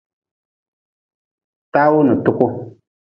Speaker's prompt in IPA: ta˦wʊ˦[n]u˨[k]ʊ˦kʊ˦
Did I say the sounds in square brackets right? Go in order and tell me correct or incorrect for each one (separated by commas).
correct, incorrect